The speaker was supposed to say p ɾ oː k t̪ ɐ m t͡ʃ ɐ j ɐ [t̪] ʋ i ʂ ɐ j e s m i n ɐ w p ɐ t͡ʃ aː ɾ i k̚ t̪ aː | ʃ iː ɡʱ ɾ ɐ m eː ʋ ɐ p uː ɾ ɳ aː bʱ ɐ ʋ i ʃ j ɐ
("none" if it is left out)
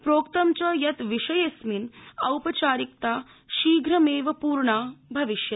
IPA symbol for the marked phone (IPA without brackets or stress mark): t̪